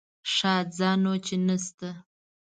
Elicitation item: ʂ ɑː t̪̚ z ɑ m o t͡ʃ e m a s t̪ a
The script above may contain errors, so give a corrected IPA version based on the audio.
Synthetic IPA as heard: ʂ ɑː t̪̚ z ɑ n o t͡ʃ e n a s t̪ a